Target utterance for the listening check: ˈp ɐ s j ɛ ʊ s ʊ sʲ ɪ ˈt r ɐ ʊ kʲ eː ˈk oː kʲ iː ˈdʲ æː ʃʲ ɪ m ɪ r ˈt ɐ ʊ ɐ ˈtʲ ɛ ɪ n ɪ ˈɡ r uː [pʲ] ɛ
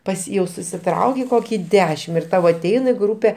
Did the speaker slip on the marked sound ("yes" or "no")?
no